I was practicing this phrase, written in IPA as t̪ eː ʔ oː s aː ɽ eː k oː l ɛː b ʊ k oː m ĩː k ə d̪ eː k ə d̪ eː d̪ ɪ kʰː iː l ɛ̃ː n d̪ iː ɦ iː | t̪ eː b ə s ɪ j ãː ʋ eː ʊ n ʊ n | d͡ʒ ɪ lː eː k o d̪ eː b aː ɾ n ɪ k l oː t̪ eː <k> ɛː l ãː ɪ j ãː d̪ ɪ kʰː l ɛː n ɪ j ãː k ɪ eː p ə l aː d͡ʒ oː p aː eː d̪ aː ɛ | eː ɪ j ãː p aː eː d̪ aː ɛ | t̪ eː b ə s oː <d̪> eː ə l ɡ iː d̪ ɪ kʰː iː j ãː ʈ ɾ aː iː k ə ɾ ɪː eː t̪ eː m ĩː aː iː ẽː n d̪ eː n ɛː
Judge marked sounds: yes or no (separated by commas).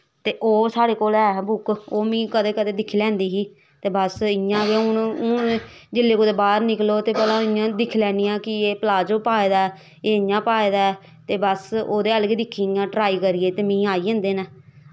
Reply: no, yes